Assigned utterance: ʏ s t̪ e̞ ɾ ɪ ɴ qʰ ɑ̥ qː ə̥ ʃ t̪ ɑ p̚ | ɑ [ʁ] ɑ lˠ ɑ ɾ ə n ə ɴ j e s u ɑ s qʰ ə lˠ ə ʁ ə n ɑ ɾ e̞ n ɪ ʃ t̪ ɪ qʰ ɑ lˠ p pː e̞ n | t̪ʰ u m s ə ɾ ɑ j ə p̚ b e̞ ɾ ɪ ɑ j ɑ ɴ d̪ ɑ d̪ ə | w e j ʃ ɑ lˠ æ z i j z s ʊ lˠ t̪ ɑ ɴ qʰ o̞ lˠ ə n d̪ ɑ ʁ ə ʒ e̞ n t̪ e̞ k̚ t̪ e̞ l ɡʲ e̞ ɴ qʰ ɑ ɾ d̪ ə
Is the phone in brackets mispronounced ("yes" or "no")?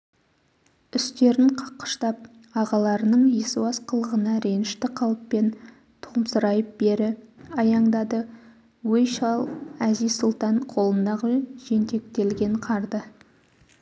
no